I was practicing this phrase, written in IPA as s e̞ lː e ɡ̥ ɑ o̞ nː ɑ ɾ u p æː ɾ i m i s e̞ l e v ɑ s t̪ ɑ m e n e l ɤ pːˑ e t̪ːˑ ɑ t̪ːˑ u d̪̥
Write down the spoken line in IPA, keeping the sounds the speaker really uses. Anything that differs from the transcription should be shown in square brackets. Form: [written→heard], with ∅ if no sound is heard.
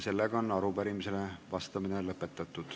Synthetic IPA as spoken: s e̞ lː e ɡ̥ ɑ o̞ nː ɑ ɾ u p [æː→æ] ɾ i m i s e̞ l e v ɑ s t̪ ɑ m [e→i] n e l ɤ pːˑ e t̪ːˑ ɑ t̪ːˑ u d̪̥